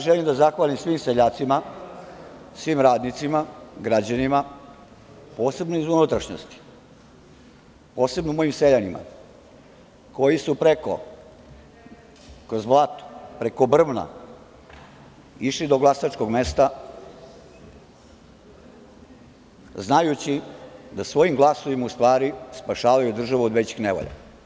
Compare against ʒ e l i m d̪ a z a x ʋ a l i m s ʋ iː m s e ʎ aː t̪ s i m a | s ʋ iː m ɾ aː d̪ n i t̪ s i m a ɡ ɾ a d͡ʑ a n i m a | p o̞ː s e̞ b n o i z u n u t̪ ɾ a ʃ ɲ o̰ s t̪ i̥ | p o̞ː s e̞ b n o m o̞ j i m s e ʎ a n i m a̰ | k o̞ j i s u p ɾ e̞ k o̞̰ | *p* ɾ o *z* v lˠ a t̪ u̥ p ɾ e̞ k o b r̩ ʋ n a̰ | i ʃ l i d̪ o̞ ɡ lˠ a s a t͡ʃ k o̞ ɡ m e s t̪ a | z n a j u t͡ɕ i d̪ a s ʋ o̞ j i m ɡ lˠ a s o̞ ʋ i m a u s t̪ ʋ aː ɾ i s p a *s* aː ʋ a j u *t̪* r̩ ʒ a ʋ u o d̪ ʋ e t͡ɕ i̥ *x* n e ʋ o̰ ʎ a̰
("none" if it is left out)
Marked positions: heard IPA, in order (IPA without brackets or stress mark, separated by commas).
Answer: k, z, ʃ, d̪, x